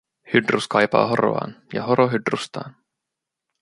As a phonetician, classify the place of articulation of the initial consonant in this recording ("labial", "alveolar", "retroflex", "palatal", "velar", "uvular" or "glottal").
glottal